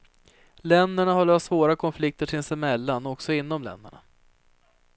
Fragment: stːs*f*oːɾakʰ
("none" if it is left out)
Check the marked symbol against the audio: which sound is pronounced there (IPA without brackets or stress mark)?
v